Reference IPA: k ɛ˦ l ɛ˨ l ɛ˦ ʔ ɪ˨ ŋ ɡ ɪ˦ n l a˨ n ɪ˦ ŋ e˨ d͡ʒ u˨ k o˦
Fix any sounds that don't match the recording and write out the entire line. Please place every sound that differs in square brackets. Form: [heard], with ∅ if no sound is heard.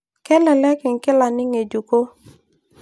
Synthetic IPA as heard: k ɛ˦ l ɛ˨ l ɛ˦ [k] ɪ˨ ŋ [k] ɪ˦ [∅] l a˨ n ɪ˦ ŋ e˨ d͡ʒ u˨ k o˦